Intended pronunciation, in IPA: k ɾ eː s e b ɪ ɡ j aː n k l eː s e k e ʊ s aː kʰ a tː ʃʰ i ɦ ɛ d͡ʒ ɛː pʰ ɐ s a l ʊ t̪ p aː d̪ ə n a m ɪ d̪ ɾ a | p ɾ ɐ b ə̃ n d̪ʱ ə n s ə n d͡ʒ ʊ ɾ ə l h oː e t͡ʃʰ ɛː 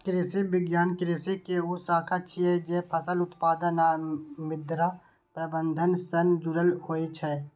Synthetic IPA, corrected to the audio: k ɾ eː s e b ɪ ɡ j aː n k ɾ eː s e k e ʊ s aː kʰ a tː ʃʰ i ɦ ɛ d͡ʒ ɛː pʰ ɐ s ə l ʊ t̪ p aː d̪ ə n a m ɪ d̪ ɾ a | p ɾ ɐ b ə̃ n d̪ʱ ə n s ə n d͡ʒ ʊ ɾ ə l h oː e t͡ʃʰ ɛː